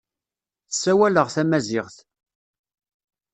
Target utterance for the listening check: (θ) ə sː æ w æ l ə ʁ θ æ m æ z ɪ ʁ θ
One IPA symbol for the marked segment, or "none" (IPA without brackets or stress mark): θ